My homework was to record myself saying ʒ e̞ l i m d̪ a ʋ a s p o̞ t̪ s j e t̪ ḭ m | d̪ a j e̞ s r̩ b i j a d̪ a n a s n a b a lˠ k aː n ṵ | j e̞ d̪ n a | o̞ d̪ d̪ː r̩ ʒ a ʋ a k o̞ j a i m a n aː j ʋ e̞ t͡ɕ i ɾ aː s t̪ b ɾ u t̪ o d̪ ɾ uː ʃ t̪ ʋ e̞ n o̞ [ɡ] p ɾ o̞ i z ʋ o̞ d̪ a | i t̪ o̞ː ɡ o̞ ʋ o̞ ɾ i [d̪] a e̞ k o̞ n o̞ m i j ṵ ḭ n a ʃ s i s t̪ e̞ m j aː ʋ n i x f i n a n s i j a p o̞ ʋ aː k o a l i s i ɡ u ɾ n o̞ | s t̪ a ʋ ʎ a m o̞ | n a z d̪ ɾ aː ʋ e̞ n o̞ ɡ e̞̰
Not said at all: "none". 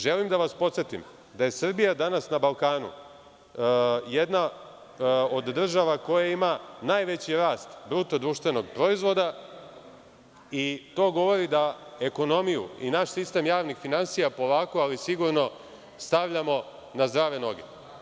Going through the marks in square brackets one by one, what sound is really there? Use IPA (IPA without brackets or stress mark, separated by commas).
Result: ɡ, d̪